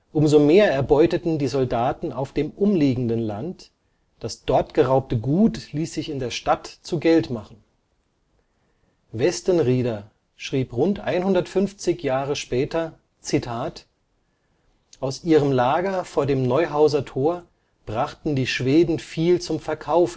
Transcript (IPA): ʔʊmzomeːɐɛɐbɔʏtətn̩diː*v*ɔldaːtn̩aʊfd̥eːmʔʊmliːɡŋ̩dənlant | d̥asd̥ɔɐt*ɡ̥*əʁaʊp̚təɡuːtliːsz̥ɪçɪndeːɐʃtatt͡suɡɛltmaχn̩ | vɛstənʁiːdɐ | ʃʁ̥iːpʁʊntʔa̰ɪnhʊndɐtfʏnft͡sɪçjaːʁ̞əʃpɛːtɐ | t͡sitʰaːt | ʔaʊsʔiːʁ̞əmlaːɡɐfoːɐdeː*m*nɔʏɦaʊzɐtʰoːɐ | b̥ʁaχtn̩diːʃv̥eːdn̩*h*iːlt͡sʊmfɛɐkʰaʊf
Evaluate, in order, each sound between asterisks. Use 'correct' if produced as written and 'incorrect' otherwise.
incorrect: z, correct, correct, incorrect: f

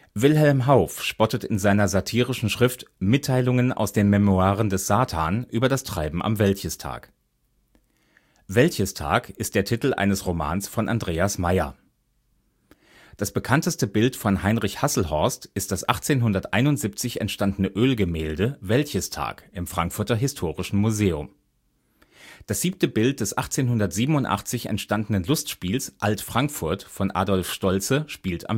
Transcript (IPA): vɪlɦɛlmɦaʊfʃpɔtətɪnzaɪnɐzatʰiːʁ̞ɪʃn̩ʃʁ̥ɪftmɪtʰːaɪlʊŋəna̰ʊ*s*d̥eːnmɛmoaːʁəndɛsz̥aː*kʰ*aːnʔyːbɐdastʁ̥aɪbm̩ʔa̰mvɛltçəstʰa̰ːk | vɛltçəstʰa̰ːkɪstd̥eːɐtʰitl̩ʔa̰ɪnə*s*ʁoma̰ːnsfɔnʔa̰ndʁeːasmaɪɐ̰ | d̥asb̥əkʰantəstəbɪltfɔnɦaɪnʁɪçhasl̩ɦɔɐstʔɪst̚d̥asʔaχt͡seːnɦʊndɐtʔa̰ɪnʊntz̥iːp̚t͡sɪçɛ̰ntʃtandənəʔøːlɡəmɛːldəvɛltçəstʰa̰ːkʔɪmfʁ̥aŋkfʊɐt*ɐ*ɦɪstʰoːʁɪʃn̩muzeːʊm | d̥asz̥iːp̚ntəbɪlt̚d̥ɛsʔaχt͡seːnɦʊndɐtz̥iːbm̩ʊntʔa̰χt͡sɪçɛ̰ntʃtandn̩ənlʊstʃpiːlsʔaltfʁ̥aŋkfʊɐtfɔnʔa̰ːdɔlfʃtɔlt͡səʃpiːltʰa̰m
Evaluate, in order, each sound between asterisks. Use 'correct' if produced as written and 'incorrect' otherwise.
correct, incorrect: tʰ, correct, correct

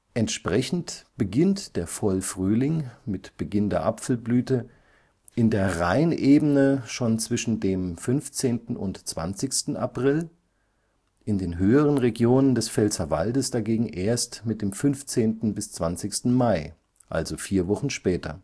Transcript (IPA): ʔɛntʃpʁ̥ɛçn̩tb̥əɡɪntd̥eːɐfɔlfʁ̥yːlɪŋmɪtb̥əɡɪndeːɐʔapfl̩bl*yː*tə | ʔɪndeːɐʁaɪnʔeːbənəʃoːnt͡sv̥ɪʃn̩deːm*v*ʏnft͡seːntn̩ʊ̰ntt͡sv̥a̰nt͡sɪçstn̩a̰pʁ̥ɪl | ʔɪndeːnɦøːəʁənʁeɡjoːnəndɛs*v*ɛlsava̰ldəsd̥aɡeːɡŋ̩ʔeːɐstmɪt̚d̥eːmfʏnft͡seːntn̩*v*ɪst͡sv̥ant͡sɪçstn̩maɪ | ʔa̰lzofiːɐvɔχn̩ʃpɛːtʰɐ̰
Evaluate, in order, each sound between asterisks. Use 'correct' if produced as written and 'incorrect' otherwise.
correct, incorrect: f, incorrect: f, incorrect: b

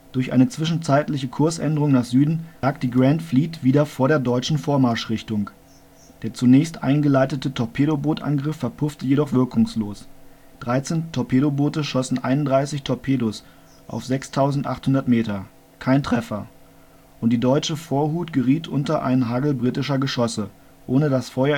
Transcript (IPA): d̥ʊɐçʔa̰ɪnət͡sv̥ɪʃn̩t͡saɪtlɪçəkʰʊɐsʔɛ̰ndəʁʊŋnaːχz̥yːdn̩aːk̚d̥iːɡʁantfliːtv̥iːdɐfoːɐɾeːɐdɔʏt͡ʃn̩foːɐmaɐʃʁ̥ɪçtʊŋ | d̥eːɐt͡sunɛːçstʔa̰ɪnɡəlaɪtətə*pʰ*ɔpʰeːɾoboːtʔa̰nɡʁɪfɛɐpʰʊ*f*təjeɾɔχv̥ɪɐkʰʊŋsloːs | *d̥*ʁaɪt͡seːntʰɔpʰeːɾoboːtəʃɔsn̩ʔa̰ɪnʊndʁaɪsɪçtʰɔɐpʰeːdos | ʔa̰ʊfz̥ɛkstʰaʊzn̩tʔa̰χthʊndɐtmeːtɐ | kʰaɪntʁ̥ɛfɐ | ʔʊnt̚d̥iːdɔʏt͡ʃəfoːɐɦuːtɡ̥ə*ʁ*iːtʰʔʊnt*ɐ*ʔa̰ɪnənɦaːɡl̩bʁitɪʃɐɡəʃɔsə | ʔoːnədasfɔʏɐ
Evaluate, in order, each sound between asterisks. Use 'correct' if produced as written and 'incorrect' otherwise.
incorrect: tʰ, correct, correct, correct, correct

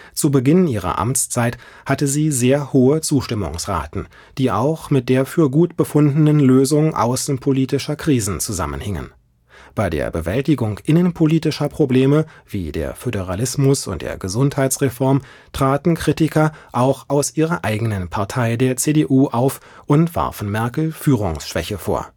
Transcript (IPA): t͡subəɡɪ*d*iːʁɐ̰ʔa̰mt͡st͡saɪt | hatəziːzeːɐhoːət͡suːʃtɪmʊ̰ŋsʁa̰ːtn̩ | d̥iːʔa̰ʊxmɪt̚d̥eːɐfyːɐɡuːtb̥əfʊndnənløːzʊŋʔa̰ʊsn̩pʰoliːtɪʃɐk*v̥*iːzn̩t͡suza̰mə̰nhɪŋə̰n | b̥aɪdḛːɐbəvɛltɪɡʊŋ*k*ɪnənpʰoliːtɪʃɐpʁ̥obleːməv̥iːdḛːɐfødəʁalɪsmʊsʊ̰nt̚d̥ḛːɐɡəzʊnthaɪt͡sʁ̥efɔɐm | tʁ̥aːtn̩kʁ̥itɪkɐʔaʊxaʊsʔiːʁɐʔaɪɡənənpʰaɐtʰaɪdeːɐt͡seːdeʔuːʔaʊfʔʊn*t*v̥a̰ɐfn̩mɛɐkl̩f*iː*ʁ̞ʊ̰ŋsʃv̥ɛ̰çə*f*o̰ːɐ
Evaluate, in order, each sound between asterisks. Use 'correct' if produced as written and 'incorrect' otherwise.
incorrect: n, incorrect: ʁ̥, incorrect: ʔ, correct, incorrect: yː, correct

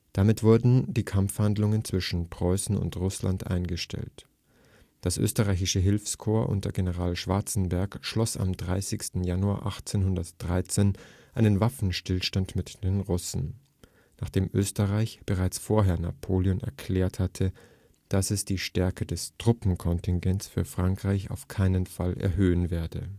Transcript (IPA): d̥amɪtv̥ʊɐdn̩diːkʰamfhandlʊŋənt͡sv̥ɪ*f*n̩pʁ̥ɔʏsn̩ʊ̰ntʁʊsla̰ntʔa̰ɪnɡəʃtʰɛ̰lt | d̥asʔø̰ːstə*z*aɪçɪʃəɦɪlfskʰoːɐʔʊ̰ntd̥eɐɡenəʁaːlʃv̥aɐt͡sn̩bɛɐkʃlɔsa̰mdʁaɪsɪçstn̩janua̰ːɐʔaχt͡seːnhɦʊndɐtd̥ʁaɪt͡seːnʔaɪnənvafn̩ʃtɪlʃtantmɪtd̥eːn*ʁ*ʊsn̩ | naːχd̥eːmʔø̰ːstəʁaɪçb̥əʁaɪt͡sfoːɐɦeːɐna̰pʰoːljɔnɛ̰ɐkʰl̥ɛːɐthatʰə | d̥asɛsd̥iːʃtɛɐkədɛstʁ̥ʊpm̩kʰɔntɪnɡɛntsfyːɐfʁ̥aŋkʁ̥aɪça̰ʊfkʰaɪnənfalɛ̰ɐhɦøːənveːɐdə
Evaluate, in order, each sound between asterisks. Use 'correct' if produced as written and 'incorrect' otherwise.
incorrect: ʃ, incorrect: ʁ, correct

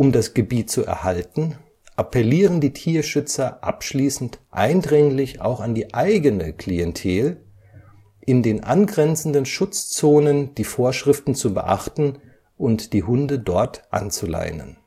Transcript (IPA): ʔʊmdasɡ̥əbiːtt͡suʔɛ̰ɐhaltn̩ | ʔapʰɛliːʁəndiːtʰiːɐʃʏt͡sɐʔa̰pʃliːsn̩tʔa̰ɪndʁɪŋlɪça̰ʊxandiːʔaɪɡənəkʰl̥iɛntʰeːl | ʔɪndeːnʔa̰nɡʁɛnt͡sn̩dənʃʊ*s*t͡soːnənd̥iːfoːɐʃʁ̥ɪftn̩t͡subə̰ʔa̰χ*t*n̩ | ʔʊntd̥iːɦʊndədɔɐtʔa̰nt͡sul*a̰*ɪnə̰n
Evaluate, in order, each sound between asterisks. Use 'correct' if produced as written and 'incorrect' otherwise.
incorrect: t͡s, correct, correct

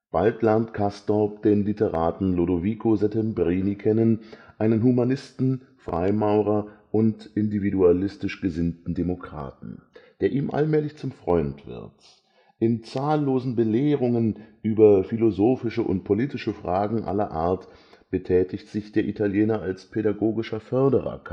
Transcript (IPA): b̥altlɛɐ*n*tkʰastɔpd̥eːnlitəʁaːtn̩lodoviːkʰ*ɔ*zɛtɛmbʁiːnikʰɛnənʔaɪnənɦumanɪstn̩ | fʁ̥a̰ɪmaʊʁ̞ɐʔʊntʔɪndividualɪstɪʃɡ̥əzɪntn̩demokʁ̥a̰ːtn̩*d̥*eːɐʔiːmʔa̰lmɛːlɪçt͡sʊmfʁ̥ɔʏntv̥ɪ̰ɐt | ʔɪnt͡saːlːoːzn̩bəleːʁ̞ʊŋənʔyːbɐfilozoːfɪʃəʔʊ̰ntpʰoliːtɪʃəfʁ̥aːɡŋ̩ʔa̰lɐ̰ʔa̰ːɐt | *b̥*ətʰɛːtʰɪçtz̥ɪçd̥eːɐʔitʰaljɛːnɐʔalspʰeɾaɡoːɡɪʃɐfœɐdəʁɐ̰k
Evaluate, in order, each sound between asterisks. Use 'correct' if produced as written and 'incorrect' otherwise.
correct, incorrect: o, correct, correct

